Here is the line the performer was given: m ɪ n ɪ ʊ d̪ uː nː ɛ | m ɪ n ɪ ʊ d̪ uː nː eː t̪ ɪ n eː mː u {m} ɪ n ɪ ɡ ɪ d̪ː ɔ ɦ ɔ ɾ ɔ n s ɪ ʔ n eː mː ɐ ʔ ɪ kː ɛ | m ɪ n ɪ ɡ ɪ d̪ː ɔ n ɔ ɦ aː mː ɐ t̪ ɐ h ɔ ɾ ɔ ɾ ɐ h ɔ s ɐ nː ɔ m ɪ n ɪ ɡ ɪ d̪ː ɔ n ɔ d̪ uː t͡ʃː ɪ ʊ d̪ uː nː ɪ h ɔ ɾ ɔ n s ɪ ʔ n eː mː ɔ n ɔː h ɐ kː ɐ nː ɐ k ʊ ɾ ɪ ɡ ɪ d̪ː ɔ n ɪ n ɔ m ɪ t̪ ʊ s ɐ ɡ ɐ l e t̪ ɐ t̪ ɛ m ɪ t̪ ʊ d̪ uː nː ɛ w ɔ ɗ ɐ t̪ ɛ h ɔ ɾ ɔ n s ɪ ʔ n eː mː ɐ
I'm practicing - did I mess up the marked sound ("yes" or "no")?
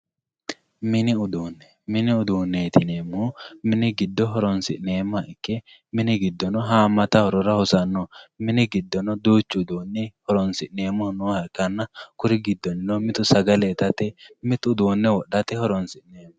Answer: no